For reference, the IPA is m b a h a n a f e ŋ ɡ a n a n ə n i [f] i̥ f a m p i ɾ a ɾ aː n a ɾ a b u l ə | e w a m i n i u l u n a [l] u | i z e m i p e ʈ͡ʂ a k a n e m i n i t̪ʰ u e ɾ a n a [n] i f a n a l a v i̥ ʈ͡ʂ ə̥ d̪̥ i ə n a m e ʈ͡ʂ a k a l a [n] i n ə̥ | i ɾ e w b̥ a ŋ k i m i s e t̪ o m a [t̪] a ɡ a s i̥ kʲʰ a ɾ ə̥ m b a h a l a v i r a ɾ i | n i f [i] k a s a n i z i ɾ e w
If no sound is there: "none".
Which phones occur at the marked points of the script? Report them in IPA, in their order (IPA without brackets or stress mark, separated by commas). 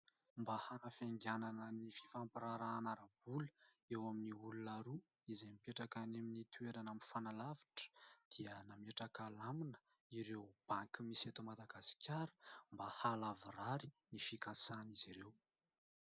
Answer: f, ɾ, m, m, d̪, i